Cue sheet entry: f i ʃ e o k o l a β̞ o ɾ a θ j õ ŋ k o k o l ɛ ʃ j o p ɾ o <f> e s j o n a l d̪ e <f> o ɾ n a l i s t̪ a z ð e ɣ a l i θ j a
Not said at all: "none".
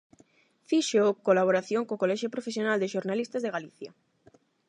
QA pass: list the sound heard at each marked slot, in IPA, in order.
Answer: f, ʃ

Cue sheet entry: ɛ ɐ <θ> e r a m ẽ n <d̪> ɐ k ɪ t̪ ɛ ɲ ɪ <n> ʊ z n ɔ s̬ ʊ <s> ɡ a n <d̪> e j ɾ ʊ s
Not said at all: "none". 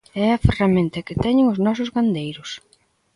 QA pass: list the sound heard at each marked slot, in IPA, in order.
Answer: f, t̪, ŋ, z, d̪

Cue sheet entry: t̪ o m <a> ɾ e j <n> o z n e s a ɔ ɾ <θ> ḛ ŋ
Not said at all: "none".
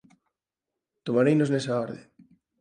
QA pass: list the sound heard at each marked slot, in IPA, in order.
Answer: a, n, ð

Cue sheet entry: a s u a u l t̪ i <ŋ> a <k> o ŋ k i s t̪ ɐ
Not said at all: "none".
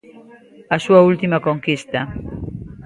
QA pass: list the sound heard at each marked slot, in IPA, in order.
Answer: m, k

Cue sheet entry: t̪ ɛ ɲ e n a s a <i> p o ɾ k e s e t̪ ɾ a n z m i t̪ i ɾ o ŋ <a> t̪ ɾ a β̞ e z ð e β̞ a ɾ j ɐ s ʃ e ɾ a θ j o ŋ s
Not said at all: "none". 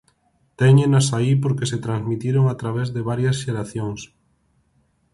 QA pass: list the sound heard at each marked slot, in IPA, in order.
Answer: i, a

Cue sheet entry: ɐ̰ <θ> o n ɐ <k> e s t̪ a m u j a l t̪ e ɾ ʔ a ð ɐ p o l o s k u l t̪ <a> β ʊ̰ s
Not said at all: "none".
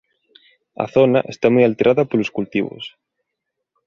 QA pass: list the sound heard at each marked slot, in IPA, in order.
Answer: θ, ʔ, i

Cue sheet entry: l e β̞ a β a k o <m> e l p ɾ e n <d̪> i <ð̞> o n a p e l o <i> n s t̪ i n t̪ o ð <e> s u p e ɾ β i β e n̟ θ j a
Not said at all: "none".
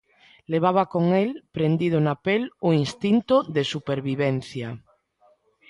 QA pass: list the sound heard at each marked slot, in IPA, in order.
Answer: ŋ, d̪, ð̞, i, e

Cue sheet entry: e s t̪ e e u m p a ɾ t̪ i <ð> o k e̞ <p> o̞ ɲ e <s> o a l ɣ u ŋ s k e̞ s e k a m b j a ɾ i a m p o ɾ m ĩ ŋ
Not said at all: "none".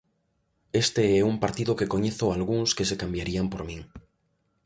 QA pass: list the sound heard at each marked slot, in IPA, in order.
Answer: ð, k, θ

